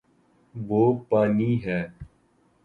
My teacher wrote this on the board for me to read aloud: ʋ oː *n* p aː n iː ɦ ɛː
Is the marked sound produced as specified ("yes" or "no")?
no